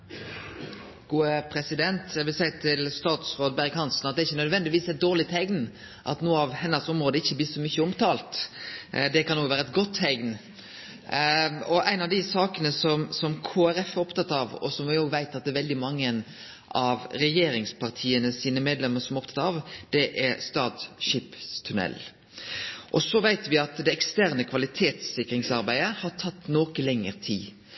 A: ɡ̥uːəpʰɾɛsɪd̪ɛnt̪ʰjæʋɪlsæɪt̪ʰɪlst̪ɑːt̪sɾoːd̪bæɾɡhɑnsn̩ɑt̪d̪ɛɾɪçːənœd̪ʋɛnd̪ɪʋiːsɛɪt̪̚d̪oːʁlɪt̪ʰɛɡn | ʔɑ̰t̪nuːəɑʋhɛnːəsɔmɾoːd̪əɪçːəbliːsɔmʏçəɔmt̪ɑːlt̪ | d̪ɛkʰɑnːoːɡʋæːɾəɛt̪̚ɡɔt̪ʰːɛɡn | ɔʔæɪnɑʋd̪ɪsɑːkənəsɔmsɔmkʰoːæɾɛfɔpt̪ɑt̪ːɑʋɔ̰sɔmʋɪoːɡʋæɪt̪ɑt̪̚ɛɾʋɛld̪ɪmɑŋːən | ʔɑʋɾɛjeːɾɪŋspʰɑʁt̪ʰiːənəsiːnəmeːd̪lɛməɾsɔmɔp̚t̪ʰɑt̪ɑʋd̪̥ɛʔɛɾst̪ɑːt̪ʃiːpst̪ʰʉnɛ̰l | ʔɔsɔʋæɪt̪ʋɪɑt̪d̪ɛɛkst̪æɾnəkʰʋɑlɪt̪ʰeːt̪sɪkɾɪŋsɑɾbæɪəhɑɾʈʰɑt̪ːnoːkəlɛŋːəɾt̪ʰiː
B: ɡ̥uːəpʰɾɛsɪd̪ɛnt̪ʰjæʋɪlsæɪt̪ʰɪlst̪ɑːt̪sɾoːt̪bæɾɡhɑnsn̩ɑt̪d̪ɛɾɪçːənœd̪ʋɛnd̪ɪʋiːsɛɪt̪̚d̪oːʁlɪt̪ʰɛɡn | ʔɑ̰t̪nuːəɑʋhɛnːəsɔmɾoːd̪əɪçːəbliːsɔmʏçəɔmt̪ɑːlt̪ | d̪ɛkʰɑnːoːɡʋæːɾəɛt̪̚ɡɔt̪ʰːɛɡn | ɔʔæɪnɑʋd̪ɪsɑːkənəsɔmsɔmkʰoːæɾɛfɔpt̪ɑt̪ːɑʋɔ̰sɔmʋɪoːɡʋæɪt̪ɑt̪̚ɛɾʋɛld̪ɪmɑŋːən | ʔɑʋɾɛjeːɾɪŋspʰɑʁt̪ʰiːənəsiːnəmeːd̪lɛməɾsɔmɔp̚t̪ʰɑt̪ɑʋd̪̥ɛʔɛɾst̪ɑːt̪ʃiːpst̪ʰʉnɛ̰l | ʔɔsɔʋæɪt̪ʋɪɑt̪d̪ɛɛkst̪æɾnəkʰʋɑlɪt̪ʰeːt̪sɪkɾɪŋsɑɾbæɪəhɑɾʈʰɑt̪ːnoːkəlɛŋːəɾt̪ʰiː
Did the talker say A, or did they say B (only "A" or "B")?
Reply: A